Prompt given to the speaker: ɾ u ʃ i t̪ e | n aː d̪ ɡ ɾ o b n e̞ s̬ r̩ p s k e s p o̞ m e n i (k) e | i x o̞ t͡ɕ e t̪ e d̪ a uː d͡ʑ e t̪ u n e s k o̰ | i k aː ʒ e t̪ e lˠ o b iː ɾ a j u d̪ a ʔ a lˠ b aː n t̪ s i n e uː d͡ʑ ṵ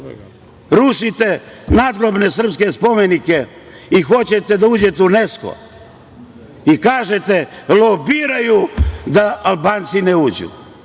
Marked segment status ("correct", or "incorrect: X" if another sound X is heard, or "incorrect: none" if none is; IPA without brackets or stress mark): correct